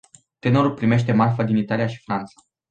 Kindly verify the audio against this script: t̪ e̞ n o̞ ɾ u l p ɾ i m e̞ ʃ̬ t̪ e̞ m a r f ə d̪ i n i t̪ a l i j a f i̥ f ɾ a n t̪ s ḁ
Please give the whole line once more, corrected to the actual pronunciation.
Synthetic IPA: t̪ e̞ n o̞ ɾ u l p ɾ i m e̞ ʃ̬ t̪ e̞ m a r f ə d̪ i n i t̪ a l i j a ʃ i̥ f ɾ a n t̪ s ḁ